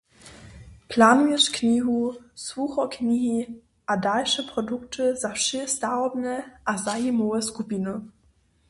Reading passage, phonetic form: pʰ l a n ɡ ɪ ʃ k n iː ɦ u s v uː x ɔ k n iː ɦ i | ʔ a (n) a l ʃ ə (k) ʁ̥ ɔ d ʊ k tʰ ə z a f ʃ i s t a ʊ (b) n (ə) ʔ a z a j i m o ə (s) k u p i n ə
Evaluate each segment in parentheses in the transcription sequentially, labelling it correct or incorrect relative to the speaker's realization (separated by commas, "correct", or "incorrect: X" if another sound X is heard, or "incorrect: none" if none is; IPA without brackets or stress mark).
incorrect: d, incorrect: p, correct, correct, correct